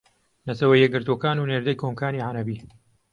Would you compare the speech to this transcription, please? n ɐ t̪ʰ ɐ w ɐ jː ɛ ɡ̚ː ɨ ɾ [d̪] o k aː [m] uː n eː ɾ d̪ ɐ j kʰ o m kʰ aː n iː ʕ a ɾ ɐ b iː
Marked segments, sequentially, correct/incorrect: incorrect, incorrect

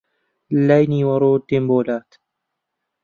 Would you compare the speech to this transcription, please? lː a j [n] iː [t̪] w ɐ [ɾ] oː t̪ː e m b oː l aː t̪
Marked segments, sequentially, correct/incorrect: correct, incorrect, correct

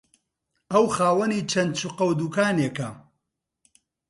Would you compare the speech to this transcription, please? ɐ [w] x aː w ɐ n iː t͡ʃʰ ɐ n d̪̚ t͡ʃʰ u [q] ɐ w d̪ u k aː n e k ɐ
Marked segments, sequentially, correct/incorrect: correct, correct

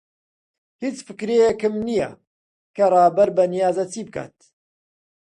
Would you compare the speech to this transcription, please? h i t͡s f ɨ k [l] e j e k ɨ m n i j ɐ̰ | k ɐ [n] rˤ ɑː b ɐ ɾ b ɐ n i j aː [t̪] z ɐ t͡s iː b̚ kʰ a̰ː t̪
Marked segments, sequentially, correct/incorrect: incorrect, incorrect, incorrect

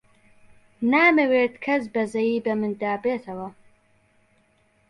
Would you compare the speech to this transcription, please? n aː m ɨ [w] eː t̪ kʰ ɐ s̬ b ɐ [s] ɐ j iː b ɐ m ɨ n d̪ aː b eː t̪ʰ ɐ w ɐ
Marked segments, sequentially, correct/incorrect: correct, incorrect

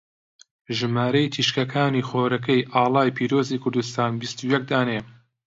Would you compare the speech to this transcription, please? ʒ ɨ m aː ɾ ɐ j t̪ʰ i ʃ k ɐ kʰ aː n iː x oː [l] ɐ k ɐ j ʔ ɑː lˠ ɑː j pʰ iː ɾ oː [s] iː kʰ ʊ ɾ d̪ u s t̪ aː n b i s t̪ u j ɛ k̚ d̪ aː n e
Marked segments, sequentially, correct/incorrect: incorrect, incorrect

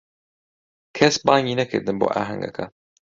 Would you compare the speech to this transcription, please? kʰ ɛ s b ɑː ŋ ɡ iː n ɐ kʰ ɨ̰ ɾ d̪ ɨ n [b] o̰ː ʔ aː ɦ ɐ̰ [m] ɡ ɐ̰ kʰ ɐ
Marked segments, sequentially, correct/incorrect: correct, incorrect

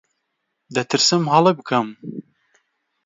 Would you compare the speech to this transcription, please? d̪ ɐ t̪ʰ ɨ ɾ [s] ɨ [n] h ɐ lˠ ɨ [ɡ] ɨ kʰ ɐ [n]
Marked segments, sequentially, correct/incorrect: correct, incorrect, incorrect, incorrect

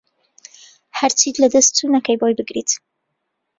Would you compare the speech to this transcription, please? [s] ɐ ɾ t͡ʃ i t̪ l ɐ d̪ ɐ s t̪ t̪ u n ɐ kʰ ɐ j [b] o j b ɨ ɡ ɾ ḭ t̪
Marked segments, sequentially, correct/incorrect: incorrect, correct

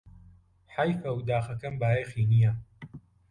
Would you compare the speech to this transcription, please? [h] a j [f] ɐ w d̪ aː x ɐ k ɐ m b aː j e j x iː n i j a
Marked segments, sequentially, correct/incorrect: incorrect, correct

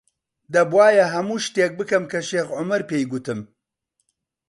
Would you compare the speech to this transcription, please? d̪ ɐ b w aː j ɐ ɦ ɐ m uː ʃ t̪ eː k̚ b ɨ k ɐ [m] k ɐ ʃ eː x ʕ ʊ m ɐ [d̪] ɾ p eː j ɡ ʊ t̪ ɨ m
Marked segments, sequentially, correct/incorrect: correct, incorrect

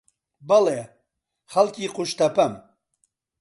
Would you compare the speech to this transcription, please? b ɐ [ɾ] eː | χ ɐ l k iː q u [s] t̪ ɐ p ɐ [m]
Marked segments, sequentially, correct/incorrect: incorrect, incorrect, correct

